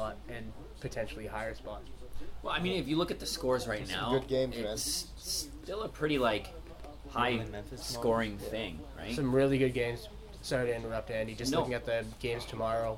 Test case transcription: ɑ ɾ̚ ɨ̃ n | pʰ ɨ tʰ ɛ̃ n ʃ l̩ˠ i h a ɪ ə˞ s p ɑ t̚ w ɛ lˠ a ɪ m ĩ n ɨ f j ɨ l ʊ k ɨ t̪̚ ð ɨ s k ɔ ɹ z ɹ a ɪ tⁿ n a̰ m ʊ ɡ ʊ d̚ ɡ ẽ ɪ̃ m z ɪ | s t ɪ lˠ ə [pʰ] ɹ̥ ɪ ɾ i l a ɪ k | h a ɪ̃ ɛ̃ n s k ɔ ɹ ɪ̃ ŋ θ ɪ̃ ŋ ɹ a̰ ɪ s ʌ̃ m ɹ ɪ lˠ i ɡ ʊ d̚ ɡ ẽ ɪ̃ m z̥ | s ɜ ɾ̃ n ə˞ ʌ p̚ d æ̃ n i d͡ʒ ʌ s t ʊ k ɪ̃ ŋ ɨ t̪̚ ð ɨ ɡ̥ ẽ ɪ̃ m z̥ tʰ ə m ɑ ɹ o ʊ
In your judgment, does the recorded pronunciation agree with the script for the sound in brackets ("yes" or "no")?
yes